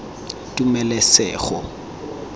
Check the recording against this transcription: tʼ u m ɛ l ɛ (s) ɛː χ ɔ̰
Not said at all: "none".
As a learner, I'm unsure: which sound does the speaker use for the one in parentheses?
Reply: s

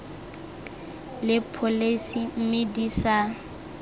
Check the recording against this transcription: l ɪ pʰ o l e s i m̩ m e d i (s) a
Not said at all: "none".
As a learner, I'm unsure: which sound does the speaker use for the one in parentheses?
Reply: s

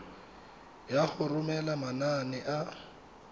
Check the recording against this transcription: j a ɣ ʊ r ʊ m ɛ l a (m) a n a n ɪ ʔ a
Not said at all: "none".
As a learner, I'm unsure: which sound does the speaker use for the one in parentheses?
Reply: m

